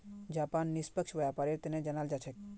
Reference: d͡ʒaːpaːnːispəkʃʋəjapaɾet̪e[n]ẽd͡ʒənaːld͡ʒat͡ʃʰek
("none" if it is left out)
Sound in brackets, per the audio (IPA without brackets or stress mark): n